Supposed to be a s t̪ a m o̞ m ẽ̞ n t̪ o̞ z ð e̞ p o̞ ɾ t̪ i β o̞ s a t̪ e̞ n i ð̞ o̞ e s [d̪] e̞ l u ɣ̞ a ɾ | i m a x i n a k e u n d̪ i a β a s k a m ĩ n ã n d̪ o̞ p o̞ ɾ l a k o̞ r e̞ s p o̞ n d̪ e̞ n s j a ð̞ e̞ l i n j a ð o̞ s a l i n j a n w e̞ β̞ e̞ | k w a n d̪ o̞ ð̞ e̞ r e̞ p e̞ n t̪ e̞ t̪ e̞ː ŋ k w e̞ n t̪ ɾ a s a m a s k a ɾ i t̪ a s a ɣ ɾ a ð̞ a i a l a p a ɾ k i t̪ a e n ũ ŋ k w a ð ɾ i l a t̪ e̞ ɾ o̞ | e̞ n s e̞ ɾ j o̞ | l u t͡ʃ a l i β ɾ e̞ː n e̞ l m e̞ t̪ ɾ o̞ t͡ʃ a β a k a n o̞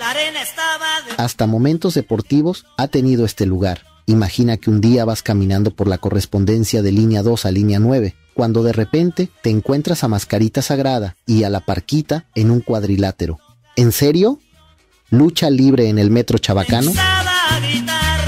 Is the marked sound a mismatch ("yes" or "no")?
yes